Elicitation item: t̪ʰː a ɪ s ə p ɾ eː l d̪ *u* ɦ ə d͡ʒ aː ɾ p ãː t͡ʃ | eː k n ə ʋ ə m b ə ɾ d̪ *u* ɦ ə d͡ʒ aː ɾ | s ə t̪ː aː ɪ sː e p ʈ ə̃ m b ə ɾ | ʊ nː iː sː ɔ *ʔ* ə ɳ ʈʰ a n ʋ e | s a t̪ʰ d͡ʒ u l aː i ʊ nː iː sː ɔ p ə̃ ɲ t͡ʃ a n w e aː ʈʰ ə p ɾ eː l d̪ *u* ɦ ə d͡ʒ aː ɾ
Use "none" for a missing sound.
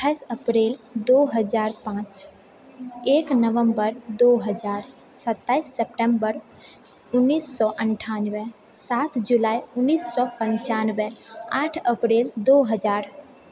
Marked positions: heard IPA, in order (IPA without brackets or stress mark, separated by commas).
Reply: o, o, ʔ, o